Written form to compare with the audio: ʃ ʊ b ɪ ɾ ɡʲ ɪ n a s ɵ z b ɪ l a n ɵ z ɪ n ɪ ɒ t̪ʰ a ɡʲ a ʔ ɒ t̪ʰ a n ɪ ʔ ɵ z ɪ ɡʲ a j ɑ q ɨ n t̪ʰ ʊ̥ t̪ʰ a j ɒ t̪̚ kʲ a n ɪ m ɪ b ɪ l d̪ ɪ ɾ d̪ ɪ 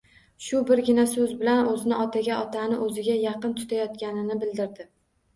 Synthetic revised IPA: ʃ ʊ b ɪ ɾ ɡʲ ɪ n a s ɵ z b ɪ l a n ɵ z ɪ n ɪ ɒ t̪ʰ a ɡʲ a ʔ ɒ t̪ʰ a n ɪ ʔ ɵ z ɪ ɡʲ a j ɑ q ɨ n t̪ʰ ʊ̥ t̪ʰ a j ɒ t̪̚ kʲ a n ɪ n ɪ b ɪ l d̪ ɪ ɾ d̪ ɪ